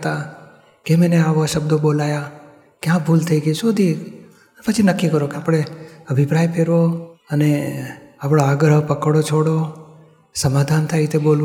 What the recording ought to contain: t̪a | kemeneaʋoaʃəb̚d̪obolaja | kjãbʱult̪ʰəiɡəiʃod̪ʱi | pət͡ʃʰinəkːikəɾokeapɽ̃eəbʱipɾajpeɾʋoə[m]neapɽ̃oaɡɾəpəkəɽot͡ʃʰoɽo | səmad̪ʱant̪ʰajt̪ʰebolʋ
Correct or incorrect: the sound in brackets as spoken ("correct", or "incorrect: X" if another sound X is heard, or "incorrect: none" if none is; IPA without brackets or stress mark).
incorrect: none